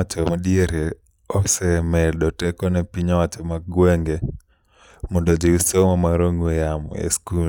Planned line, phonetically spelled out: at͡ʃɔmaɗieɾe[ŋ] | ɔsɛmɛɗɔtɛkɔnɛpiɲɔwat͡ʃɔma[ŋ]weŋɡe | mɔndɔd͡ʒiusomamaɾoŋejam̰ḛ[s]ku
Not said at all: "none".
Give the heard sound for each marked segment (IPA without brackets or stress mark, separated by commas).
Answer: none, ɡ, s